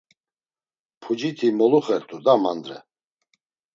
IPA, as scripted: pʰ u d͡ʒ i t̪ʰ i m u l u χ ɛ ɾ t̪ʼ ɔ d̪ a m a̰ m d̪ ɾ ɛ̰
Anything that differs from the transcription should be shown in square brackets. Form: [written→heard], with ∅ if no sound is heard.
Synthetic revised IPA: pʰ u d͡ʒ i t̪ʰ i m [u→ɔ] l u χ ɛ ɾ t̪ʼ [ɔ→u] d̪ a m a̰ [m→n] d̪ ɾ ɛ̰